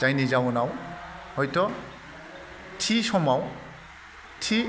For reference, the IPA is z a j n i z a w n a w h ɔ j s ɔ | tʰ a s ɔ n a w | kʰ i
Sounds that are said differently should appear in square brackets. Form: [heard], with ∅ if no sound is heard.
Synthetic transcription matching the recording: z a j n i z a w n a w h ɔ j [t] ɔ | tʰ [i] s ɔ [m] a w | [tʰ] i